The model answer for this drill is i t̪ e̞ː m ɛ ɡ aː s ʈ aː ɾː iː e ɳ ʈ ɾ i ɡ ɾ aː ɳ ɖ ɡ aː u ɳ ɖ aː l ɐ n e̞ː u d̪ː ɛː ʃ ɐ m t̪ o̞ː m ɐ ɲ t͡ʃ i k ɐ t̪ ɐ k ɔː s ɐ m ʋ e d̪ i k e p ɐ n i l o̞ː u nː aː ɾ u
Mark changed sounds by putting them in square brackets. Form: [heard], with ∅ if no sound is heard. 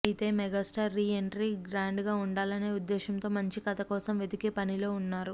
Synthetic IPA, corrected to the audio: i t̪ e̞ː m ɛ ɡ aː s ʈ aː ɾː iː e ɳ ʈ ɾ i ɡ ɾ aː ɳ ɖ ɡ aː u ɳ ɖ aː l ɐ n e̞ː u d̪ː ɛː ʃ ɐ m t̪ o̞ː m ɐ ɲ t͡ʃ i k ɐ t̪ ɐ k ɔː s ɐ m ʋ e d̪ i k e p ɐ n i l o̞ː u nː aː ɾ u